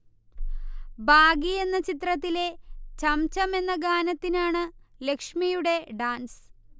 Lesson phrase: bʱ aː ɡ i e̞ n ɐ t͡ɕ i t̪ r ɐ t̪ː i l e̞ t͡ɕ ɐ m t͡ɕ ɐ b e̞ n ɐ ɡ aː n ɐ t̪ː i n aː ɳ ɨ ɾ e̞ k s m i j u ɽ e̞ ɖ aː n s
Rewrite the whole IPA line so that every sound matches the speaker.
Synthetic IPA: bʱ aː ɡ i e̞ nː ɐ t͡ɕ i t̪ r ɐ t̪ː i l e̞ t͡ɕ ɐ m t͡ɕ ɐ m e̞ nː ɐ ɡ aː n ɐ t̪ː i n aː ɳ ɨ l e̞ k ʂ m i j u ɽ e̞ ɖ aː n s